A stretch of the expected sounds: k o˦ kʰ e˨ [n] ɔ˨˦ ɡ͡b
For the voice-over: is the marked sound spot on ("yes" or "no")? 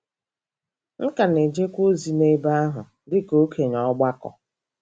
no